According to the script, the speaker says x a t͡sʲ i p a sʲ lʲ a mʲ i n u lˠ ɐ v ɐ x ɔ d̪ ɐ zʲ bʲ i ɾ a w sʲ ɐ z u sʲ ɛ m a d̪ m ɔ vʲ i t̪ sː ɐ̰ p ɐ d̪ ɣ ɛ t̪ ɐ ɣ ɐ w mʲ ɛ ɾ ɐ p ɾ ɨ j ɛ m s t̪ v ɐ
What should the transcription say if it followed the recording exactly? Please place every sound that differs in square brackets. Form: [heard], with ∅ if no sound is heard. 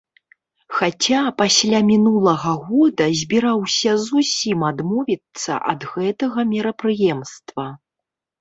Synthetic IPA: x a t͡sʲ [a] p a sʲ lʲ a mʲ i n u lˠ ɐ [ɣ] ɐ [ɣ] ɔ d̪ ɐ zʲ bʲ i ɾ a w sʲ ɐ z u sʲ [i] m a d̪ m ɔ vʲ i t̪ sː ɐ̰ [ʔ] ɐ d̪ ɣ ɛ t̪ ɐ ɣ ɐ [∅] mʲ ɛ ɾ ɐ p ɾ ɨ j ɛ m s t̪ v ɐ